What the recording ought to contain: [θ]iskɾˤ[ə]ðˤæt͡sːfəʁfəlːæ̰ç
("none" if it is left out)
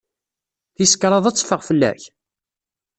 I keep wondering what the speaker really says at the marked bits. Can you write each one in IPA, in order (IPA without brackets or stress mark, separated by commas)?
θ, ɑ